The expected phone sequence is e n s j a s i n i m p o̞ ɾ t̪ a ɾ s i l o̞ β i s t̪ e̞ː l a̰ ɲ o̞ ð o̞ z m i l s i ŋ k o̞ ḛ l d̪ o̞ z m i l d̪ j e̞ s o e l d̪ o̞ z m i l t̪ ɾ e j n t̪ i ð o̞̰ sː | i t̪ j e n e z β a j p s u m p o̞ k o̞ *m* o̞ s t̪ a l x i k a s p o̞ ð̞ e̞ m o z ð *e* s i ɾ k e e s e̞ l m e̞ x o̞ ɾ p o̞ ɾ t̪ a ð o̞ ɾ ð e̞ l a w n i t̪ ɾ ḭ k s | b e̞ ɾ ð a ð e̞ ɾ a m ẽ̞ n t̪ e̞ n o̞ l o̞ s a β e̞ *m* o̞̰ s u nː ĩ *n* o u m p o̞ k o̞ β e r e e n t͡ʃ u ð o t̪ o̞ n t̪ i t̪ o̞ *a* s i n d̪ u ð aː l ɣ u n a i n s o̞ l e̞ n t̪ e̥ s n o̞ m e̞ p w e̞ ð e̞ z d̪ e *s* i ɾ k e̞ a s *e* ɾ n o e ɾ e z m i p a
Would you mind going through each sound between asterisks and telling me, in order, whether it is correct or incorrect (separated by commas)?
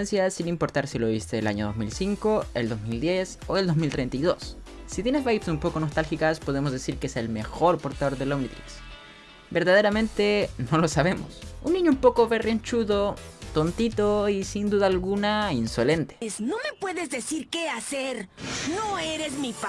incorrect, correct, correct, incorrect, incorrect, correct, correct